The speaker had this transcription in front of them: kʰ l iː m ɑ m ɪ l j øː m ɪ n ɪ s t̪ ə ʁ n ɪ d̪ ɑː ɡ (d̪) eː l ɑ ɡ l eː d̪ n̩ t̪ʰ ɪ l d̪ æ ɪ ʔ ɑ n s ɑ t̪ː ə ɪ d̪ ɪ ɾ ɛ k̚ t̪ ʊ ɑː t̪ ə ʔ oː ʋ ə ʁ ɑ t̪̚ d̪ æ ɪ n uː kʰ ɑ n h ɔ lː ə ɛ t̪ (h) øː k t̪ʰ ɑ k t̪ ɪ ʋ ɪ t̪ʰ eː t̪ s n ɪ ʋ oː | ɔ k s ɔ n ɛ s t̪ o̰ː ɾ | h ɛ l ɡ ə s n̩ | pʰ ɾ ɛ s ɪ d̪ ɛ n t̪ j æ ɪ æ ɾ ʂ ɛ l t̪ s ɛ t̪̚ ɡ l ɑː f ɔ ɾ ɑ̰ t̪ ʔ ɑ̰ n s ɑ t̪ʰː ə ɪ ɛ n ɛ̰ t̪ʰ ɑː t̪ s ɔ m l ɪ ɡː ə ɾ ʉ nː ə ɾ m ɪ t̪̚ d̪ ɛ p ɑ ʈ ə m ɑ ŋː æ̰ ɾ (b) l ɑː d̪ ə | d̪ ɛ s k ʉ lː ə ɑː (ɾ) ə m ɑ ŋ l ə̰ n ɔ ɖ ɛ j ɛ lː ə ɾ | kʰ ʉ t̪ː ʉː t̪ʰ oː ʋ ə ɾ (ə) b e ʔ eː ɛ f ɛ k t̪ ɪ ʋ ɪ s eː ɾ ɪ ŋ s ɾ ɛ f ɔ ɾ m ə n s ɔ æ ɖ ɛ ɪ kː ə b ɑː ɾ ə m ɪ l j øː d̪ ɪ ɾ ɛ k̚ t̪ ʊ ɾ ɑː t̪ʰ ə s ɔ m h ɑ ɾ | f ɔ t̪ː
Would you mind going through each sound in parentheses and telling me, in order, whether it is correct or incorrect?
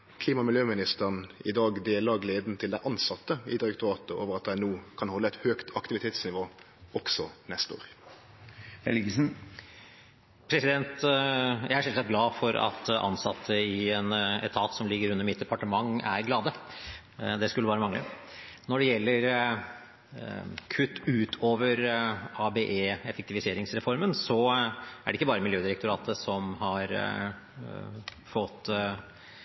correct, correct, incorrect: ɡ, correct, incorrect: ɑ

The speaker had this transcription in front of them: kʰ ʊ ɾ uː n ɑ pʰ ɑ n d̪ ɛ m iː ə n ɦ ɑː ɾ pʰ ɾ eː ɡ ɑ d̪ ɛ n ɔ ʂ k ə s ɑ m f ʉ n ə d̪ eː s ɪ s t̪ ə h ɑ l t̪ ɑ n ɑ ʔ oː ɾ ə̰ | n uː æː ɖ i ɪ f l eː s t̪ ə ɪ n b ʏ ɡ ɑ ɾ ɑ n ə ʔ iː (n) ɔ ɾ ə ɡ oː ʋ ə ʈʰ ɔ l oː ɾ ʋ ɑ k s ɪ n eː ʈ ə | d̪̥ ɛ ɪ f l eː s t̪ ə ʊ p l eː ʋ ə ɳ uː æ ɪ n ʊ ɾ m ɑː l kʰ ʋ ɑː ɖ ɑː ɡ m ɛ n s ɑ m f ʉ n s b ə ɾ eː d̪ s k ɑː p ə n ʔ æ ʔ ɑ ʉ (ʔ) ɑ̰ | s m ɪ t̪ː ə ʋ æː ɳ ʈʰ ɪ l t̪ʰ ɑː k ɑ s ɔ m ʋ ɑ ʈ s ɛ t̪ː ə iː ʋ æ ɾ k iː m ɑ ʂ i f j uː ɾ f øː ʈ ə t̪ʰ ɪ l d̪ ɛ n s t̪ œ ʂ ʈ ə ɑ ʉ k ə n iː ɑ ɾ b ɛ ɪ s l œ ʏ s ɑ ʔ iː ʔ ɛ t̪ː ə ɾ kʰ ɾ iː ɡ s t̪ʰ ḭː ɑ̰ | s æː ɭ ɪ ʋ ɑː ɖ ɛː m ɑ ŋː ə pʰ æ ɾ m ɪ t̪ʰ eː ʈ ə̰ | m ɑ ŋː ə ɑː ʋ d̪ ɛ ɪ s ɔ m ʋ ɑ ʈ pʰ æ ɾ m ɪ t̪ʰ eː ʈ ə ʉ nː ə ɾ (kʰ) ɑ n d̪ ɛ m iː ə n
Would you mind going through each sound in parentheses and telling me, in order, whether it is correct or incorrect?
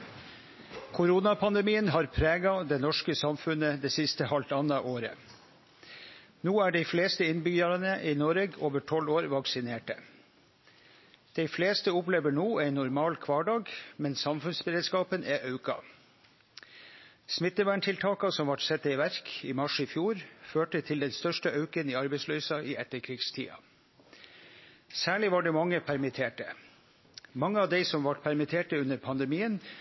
correct, incorrect: k, incorrect: pʰ

